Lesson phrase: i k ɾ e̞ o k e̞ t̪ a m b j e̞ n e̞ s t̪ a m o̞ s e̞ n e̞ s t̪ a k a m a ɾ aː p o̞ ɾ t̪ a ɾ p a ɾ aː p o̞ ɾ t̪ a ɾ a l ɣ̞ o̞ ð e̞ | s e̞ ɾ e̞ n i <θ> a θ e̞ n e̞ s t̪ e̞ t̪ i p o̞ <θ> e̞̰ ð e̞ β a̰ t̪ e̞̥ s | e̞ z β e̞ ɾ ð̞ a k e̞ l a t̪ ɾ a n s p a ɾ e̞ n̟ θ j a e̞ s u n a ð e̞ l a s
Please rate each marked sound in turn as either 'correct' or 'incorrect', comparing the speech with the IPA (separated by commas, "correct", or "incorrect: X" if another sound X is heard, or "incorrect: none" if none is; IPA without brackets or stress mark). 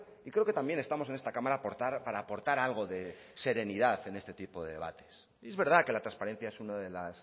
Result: incorrect: ð, incorrect: ð